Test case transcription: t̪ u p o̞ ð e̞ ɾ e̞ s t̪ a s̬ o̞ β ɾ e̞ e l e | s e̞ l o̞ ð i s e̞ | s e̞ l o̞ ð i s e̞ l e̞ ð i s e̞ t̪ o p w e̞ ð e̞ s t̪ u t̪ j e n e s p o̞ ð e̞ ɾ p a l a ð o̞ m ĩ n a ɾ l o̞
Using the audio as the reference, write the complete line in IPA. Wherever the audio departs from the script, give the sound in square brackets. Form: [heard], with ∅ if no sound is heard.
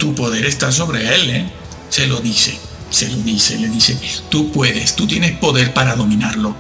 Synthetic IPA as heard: t̪ u p o̞ ð e̞ ɾ e̞ s t̪ a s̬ o̞ β ɾ e̞ e l e | s e̞ l o̞ ð i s e̞ | s e̞ l o̞ ð i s e̞ l e̞ ð i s e̞ t̪ [u] p w e̞ ð e̞ s t̪ u t̪ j e n e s p o̞ ð e̞ ɾ p a [ɾ] a ð o̞ m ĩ n a ɾ l o̞